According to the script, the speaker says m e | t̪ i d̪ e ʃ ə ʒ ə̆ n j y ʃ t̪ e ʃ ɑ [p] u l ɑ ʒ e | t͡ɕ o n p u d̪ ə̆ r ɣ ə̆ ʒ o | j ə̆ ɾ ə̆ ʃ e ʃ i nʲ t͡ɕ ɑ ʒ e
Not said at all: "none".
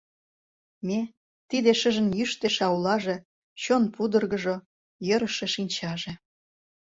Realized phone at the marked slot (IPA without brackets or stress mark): none